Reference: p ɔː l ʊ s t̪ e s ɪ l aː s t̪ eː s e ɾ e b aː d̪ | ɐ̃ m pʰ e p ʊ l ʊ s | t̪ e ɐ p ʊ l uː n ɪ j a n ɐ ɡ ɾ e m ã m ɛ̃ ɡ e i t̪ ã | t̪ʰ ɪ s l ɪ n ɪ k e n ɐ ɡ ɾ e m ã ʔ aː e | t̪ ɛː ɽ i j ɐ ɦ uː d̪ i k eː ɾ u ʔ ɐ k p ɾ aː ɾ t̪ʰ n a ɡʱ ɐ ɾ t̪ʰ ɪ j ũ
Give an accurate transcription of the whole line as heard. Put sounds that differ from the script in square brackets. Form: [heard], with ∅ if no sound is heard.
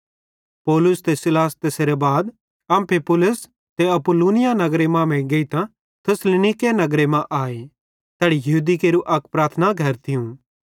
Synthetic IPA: p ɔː l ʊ s t̪ e s ɪ l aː s t̪ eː s e ɾ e b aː d̪ | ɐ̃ m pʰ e p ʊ l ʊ s | t̪ e ɐ p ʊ l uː n ɪ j a n ɐ ɡ ɾ e m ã m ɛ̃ ɡ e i t̪ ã | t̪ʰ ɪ s l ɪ n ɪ k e n ɐ ɡ ɾ e m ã ʔ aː e | t̪ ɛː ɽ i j ɐ ɦ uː d̪ i k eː ɾ u ʔ ɐ k p ɾ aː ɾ t̪ʰ n a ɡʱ ɐ ɾ t̪ʰ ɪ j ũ